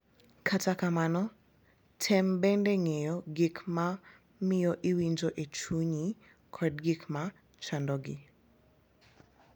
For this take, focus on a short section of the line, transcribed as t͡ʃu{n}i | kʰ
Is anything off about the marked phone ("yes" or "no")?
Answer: yes